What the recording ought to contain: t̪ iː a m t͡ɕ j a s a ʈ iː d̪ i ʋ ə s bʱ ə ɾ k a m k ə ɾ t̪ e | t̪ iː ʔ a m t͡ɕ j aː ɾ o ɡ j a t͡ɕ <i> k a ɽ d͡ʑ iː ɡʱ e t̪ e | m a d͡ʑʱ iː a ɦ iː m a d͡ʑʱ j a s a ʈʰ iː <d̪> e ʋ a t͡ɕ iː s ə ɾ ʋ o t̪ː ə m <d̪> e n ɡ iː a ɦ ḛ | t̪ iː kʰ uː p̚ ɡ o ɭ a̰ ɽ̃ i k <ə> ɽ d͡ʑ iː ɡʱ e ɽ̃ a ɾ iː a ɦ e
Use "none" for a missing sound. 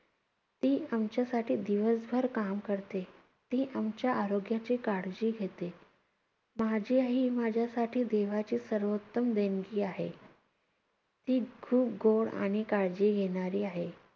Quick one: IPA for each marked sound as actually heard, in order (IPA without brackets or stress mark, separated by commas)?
iː, d̪, d̪, a